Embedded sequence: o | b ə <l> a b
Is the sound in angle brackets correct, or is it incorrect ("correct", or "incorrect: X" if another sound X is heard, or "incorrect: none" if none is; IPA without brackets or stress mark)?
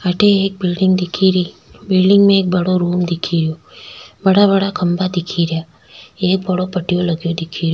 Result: incorrect: ɽ